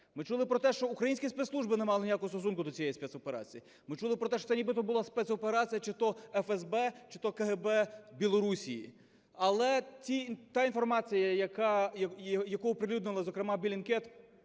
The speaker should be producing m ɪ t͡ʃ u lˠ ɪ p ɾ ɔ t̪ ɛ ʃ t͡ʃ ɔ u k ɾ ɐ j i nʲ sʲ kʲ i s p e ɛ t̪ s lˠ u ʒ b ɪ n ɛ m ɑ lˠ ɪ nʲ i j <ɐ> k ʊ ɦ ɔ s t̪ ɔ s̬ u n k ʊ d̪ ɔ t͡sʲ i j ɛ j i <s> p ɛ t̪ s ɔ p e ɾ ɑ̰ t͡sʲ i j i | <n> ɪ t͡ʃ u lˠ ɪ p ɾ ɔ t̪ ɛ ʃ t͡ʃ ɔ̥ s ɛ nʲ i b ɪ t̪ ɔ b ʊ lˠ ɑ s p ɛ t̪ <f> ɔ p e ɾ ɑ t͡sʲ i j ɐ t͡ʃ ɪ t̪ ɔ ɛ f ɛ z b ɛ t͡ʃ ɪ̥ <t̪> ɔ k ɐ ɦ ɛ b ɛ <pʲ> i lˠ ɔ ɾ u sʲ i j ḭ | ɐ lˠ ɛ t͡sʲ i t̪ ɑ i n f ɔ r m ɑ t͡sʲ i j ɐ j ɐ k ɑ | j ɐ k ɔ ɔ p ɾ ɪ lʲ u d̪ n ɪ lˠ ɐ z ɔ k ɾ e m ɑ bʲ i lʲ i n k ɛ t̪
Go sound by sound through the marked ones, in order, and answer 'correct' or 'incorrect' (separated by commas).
incorrect, correct, incorrect, incorrect, correct, incorrect